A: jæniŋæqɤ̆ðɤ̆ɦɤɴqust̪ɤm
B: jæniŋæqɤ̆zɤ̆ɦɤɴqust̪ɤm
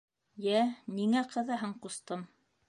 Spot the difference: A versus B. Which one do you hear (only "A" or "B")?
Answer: A